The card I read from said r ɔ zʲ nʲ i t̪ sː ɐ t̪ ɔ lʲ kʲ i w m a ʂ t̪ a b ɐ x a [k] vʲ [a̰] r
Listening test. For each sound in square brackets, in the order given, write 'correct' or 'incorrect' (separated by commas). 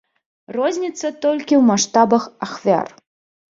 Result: incorrect, correct